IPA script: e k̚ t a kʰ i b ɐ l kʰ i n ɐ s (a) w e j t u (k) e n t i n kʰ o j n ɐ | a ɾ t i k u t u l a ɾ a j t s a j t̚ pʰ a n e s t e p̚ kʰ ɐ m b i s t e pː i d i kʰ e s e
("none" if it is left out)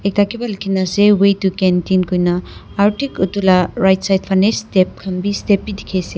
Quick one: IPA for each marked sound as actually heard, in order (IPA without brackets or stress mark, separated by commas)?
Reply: e, k